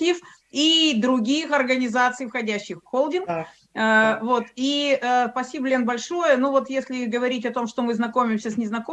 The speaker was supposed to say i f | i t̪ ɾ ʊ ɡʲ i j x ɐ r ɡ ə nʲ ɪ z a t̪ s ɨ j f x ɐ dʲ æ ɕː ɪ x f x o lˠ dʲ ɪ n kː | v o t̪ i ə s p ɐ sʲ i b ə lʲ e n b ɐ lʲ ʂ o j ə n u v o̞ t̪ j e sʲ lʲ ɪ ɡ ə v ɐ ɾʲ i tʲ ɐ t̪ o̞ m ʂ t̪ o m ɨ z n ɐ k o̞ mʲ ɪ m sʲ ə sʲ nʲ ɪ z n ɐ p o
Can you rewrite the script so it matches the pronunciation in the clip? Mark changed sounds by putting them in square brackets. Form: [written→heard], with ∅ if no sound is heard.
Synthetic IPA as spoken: i f | i [t̪→d̪] ɾ ʊ ɡʲ i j x ɐ r ɡ ə nʲ ɪ z a t̪ s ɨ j f x ɐ dʲ æ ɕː ɪ x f x o lˠ dʲ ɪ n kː | v o t̪ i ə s p ɐ sʲ i b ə lʲ e n b ɐ lʲ ʂ o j ə n u v o̞ t̪ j e sʲ lʲ ɪ ɡ ə v ɐ ɾʲ i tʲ ɐ t̪ o̞ m ʂ t̪ o m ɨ z n ɐ k o̞ mʲ ɪ m sʲ ə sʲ nʲ ɪ z n ɐ [p→k] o